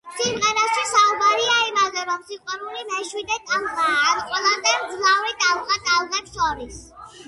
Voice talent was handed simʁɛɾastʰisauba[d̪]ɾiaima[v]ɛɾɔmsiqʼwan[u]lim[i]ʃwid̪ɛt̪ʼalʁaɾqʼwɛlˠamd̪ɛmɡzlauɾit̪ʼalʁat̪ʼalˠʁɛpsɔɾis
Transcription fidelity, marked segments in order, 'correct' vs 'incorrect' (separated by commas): incorrect, incorrect, correct, incorrect